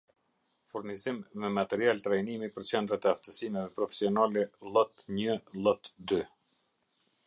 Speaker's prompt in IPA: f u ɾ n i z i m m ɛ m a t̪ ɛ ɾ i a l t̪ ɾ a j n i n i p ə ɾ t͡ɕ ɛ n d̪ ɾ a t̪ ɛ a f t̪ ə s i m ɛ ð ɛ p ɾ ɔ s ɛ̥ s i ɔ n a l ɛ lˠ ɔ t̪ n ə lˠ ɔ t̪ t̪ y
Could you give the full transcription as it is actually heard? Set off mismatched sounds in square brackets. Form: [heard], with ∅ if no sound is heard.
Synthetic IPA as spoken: f u ɾ n i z i m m ɛ m a t̪ ɛ ɾ i a l t̪ ɾ a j n i [m] i p ə ɾ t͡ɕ ɛ n d̪ ɾ a t̪ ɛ a f t̪ ə s i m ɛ ð ɛ p ɾ ɔ [f] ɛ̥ s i ɔ n a l ɛ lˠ ɔ t̪ [ɲ] ə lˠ ɔ t̪ [d̪] y